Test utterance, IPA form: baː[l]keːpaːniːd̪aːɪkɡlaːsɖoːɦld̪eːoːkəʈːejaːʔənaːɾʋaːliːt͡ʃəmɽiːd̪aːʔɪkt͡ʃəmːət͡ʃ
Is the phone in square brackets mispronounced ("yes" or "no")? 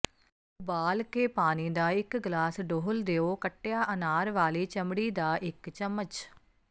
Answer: no